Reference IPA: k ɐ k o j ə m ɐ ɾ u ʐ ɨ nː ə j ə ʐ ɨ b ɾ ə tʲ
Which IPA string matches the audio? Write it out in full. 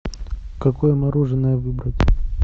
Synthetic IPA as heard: k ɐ k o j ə m ɐ ɾ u ʐ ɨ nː ə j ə v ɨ b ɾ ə tʲ